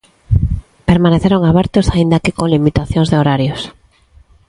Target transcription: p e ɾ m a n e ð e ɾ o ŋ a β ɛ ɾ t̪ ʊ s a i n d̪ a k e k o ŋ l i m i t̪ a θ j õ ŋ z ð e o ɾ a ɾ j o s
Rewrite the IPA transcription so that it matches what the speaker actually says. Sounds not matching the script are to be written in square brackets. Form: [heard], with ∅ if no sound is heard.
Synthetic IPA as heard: p e ɾ m a n e [θ] e ɾ o ŋ a β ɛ ɾ t̪ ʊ s a i n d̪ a k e k o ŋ l i m i t̪ a θ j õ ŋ z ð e o ɾ a ɾ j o s